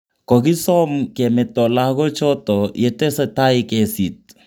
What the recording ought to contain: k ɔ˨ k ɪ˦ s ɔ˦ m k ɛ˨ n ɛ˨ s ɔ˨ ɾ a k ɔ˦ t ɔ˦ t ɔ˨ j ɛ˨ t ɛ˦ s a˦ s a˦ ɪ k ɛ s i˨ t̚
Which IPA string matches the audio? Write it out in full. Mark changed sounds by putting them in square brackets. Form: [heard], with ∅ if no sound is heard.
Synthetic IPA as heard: k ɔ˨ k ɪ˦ s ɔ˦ m k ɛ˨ [m] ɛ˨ [t] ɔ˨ [l] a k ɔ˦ [t͡ʃ] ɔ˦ t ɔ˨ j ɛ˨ t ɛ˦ s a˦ [t] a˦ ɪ k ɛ s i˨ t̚

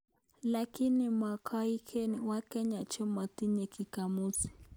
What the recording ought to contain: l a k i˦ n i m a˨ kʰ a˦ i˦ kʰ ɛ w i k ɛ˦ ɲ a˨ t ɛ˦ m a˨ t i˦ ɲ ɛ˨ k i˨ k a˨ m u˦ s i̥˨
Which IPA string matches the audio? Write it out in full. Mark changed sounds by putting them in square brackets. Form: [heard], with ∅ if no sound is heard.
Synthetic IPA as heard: l a k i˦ n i m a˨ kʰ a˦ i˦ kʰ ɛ w [a] k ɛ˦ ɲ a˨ [t͡ʃ] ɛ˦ m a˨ t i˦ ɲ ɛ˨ k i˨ k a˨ m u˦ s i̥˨

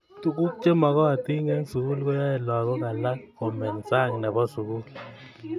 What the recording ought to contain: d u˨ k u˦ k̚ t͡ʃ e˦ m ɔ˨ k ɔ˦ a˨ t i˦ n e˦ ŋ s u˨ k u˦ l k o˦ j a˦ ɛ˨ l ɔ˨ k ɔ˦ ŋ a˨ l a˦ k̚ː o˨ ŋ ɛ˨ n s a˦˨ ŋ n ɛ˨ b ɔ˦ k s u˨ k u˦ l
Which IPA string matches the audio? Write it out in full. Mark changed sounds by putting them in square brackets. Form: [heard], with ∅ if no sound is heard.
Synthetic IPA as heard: [t] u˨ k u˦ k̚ t͡ʃ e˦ m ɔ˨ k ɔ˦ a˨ t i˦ [ŋ] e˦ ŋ s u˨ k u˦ l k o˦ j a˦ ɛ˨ l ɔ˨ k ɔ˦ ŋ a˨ l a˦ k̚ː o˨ [m] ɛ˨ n s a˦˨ ŋ n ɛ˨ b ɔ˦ [∅] s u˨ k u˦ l

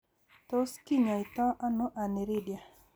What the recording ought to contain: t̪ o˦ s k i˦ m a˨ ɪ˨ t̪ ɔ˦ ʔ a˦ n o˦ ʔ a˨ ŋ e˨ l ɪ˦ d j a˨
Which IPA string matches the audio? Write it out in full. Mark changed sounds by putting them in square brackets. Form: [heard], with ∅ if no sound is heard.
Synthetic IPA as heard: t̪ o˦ s k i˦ [ɲ] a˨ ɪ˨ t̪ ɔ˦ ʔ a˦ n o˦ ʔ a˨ [n] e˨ [ɾ] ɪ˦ d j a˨

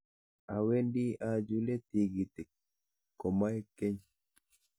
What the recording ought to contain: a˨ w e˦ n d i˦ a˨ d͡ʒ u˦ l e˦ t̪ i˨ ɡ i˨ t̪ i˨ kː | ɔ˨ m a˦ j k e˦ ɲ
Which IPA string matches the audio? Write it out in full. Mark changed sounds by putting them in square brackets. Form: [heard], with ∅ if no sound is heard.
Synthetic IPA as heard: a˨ w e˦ n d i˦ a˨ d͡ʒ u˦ l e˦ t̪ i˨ ɡ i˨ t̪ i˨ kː | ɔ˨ m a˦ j k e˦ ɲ

